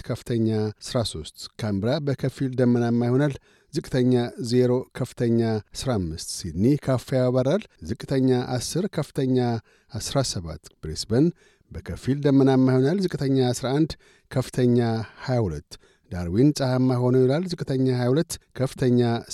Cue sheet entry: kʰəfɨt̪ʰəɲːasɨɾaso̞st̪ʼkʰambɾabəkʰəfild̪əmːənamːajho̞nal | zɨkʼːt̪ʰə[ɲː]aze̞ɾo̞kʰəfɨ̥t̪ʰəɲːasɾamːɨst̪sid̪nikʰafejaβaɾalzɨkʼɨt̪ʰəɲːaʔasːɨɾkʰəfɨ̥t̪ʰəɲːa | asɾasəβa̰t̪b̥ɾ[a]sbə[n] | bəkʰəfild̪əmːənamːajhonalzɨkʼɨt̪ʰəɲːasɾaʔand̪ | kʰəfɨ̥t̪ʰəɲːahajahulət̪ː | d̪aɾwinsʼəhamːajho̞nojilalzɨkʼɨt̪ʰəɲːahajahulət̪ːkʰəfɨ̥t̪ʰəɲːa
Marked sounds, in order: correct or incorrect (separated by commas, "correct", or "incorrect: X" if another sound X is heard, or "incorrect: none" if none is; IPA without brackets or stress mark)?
correct, incorrect: e, correct